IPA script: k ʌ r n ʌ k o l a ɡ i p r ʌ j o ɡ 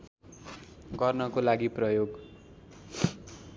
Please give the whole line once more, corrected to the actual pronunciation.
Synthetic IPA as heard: ɡ ʌ r n ʌ k o l a ɡ i p r ʌ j o ɡ